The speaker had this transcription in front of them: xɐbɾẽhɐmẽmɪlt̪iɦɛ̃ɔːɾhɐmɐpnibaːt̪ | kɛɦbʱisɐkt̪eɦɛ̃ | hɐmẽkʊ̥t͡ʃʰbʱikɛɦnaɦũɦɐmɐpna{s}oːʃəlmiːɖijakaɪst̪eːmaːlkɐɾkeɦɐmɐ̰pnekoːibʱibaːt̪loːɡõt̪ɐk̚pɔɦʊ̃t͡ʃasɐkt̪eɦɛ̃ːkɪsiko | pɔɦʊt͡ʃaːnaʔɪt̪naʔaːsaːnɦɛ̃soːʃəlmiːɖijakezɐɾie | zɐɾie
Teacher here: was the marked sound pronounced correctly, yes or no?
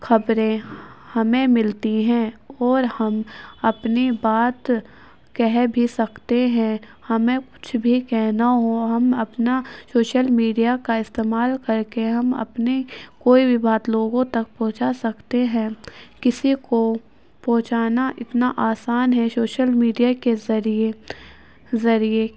yes